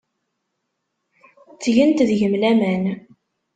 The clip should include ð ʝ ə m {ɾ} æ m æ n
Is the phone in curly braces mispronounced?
yes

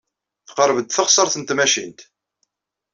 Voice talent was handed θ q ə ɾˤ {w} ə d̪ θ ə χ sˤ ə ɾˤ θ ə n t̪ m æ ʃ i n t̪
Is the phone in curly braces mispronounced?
yes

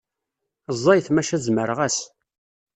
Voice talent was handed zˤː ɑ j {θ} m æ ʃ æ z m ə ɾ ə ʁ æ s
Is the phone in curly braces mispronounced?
no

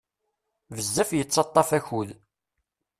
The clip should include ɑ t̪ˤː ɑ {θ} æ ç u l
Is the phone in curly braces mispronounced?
yes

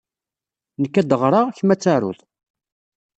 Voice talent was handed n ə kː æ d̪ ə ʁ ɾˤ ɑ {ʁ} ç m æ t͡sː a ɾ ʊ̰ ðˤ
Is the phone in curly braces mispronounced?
no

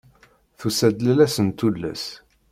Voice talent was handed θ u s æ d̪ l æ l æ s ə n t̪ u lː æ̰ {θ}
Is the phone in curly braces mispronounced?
yes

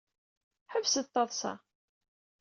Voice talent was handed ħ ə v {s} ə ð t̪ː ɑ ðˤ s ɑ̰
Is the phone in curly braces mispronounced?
no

